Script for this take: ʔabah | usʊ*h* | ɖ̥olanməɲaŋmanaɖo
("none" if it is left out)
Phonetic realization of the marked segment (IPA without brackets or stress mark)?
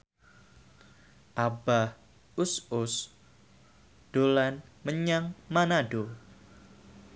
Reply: s